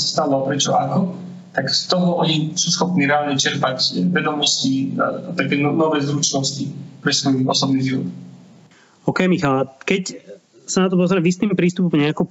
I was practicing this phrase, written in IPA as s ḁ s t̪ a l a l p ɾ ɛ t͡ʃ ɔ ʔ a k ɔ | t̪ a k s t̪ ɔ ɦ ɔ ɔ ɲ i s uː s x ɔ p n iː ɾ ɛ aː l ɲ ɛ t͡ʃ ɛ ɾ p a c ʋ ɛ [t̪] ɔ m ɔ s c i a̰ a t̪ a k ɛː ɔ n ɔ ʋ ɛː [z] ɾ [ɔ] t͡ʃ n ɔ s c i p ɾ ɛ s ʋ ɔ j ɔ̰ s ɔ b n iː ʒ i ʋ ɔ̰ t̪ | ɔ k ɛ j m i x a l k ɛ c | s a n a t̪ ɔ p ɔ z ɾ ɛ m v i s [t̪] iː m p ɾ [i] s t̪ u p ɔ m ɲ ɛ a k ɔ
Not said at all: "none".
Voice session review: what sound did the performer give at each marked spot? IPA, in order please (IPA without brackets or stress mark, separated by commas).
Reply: d̪, z, u, t̪, iː